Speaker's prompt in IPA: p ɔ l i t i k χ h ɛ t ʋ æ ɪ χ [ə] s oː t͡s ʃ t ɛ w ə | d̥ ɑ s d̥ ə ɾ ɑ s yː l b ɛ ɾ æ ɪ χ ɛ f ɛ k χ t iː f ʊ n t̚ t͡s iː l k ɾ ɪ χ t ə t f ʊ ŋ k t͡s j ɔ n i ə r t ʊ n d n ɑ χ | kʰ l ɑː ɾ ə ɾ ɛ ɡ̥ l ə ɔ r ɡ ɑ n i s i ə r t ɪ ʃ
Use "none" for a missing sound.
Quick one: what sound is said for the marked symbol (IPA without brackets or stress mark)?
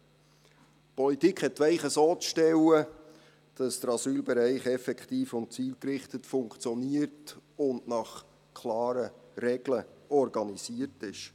ə